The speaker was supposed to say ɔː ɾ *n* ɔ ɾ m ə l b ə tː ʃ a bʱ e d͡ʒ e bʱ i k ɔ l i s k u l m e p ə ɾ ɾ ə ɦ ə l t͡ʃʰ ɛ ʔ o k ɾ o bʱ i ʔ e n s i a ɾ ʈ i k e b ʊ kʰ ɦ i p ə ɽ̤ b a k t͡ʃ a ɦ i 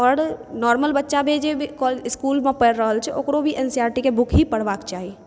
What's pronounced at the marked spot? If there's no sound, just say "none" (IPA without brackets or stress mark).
n